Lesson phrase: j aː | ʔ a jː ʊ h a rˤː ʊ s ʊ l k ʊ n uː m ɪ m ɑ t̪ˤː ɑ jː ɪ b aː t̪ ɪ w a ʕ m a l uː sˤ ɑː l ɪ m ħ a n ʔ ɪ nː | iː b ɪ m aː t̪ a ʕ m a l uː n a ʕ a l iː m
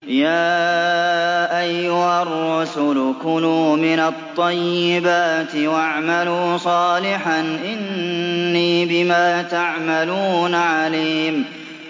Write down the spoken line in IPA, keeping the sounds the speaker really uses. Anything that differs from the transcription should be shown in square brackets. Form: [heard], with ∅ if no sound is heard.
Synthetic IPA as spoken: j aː | ʔ a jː ʊ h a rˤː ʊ s ʊ l k ʊ n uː m ɪ [n] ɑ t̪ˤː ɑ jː ɪ b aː t̪ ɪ w a ʕ m a l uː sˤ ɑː l ɪ [∅] ħ a n ʔ ɪ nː | iː b ɪ m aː t̪ a ʕ m a l uː n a ʕ a l iː m